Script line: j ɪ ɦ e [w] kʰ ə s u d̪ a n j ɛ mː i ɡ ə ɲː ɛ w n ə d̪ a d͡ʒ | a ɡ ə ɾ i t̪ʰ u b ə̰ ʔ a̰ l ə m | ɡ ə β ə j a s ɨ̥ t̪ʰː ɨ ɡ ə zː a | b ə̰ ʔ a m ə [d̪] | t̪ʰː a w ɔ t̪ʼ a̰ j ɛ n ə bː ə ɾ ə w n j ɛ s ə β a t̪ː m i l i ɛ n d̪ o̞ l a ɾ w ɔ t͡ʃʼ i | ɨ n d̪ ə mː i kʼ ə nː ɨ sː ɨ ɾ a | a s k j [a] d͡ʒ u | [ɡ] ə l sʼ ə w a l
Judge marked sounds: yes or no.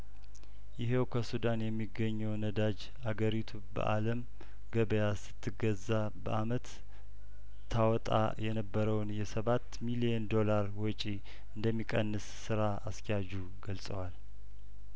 yes, no, yes, yes

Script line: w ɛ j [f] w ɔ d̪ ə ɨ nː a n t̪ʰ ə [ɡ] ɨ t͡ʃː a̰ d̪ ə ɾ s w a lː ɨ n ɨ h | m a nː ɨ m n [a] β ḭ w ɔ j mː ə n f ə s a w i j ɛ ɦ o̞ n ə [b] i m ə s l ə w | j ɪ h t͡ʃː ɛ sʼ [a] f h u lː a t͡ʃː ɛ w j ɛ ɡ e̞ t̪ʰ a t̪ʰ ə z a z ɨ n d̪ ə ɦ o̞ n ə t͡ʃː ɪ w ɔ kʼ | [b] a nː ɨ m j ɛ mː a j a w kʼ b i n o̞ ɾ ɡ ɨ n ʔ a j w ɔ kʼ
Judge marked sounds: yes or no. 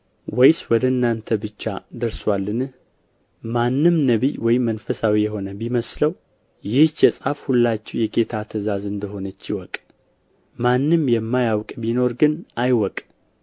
no, no, no, yes, yes, no

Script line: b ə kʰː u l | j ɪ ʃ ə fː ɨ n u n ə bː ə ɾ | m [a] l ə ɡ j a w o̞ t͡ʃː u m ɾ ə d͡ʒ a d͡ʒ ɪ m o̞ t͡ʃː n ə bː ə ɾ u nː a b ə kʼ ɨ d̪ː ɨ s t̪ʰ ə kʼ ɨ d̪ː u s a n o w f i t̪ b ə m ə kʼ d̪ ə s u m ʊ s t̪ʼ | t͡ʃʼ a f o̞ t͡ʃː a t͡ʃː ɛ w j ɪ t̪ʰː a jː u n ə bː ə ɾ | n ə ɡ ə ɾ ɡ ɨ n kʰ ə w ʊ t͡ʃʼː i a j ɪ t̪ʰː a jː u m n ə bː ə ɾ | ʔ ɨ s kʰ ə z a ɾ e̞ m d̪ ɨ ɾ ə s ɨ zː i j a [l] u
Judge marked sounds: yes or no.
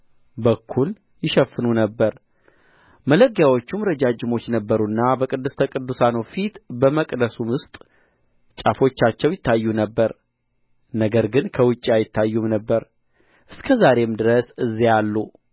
no, no

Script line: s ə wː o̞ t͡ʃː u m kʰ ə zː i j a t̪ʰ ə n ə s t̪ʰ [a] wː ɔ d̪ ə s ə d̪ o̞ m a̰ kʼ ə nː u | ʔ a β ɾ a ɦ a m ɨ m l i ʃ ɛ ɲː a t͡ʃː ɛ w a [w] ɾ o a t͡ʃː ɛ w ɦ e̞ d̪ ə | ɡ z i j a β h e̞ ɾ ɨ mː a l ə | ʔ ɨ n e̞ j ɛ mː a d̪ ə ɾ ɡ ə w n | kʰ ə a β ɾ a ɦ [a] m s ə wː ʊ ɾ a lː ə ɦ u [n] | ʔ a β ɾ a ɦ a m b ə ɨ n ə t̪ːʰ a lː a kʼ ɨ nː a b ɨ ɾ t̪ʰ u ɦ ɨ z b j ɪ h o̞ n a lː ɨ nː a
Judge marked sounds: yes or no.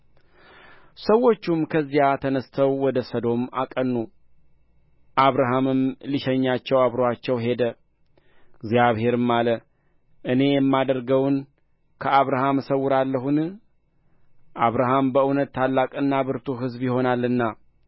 no, no, yes, yes

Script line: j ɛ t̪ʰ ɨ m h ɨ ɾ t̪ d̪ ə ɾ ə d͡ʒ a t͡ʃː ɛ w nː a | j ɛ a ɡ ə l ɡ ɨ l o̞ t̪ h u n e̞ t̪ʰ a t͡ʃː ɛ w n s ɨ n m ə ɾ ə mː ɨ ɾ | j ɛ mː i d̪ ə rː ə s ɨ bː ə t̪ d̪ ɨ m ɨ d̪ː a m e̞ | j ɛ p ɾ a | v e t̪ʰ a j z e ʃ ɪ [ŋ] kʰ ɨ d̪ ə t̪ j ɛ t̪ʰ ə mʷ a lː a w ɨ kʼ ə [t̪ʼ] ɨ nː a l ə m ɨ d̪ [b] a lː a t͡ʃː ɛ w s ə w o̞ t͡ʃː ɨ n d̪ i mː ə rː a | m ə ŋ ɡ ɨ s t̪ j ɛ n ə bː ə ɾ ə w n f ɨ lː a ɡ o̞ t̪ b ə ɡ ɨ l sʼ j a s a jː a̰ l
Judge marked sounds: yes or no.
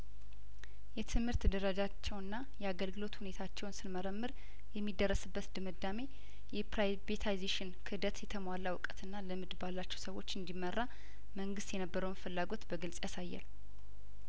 no, no, yes

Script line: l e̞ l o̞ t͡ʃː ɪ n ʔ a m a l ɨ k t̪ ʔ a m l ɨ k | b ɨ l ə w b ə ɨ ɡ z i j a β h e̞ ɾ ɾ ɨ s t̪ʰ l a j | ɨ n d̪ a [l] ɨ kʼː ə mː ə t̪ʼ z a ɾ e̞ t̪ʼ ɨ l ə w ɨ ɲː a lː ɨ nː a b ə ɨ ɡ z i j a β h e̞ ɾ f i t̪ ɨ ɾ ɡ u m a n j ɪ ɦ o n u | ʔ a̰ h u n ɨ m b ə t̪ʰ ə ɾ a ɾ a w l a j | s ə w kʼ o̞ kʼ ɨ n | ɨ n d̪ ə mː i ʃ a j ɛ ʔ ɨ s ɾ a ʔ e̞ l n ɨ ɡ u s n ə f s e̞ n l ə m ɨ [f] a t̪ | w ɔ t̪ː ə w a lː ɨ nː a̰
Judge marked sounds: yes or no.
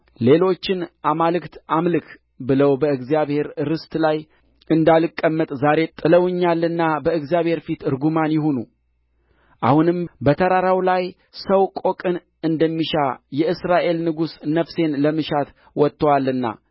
yes, no

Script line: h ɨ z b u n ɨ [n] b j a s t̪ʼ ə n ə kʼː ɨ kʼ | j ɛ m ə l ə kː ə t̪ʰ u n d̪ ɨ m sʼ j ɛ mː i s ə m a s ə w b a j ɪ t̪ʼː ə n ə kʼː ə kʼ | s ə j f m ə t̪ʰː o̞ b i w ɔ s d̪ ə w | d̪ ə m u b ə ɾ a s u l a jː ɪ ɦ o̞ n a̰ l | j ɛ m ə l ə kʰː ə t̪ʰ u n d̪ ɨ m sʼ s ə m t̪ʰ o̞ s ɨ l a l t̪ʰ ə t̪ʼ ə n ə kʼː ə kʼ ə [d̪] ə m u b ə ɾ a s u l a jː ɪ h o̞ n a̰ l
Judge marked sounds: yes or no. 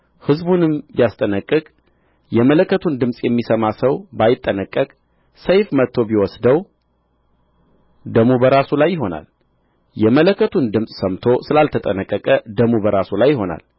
no, yes

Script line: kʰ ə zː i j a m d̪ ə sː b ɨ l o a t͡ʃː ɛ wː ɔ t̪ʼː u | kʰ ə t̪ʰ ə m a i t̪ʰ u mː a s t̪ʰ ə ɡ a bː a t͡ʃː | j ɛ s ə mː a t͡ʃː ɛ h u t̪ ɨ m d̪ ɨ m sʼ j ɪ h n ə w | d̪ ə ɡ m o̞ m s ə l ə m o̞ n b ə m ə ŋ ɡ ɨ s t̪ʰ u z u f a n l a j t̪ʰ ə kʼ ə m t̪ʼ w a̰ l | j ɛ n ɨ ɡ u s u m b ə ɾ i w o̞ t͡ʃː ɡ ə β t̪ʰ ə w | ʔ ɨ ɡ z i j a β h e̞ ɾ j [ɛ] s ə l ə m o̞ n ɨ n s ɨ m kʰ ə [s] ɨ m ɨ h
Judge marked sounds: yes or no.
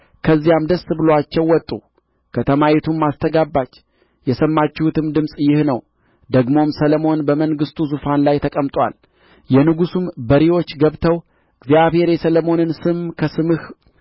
yes, yes

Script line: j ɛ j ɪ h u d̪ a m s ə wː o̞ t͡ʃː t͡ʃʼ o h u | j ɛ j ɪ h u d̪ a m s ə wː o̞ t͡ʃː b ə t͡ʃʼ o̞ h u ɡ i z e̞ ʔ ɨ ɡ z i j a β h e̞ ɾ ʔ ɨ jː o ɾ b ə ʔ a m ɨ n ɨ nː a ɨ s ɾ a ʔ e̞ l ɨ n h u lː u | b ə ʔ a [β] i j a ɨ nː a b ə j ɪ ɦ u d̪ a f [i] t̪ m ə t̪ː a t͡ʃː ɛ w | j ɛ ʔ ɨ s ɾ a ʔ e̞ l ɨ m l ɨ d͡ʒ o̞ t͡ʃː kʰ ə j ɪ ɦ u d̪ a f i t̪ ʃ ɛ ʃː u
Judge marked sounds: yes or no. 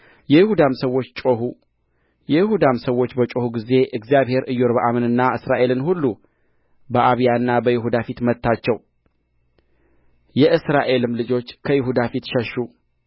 yes, yes

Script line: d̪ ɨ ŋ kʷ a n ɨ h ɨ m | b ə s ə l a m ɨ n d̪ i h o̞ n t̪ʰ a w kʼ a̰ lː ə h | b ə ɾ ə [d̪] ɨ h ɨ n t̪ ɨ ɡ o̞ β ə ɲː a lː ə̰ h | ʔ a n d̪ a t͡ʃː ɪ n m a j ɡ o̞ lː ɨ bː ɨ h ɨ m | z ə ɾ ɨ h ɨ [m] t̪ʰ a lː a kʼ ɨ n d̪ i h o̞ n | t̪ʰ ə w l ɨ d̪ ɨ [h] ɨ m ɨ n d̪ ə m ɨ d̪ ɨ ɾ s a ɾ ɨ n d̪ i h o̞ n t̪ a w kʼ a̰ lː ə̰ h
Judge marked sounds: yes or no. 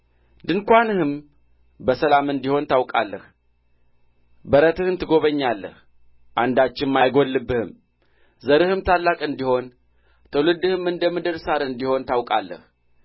no, yes, yes

